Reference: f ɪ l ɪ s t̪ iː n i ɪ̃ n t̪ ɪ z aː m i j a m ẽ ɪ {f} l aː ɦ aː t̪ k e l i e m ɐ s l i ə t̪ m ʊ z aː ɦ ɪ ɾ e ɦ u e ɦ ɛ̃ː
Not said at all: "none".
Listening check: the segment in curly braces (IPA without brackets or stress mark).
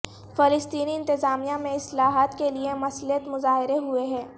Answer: s